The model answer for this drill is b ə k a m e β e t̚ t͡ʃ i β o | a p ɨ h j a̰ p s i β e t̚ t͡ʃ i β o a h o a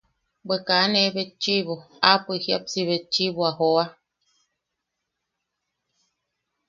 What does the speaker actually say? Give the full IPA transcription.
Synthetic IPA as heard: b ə k a n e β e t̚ t͡ʃ i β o | a p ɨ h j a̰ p s i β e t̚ t͡ʃ i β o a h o a